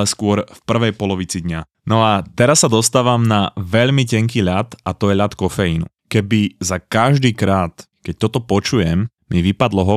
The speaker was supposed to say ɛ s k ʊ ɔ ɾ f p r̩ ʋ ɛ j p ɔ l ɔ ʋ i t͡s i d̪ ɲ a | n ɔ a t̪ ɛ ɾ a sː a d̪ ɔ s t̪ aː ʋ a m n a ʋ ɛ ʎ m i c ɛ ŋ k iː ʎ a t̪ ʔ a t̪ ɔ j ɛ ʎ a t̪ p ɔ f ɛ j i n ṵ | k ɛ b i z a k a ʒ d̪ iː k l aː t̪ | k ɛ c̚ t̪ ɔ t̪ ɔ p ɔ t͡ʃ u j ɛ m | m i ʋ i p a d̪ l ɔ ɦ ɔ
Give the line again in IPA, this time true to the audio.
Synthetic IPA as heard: ɛ s k ʊ ɔ ɾ f p r̩ ʋ ɛ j p ɔ l ɔ ʋ i t͡s i d̪ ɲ a | n ɔ a t̪ ɛ ɾ a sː a d̪ ɔ s t̪ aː ʋ a m n a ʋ ɛ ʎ m i c ɛ ŋ k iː ʎ a t̪ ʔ a t̪ ɔ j ɛ ʎ a t̪ k ɔ f ɛ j i n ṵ | k ɛ b i z a k a ʒ d̪ iː k ɾ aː t̪ | k ɛ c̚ t̪ ɔ t̪ ɔ p ɔ t͡ʃ u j ɛ m | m i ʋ i p a d̪ l ɔ ɦ ɔ